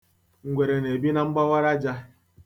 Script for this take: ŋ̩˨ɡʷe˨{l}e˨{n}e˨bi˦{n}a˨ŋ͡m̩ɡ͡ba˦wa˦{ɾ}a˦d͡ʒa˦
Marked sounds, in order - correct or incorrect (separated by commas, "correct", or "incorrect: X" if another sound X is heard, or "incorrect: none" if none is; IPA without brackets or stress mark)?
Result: incorrect: ɾ, correct, correct, correct